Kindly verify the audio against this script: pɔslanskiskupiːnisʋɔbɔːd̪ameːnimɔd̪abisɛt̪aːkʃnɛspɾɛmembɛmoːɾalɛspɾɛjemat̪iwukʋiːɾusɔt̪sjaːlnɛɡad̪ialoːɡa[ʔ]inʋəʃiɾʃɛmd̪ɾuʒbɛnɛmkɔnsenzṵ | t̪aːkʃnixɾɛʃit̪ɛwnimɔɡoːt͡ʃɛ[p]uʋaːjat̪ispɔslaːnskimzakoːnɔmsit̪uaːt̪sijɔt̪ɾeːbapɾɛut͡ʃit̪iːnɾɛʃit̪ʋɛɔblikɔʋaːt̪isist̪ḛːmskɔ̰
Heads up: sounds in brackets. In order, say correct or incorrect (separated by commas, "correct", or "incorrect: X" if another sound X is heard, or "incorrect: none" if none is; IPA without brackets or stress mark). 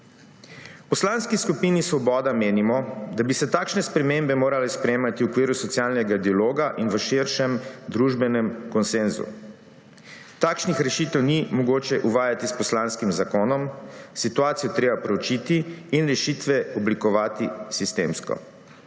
correct, incorrect: ʔ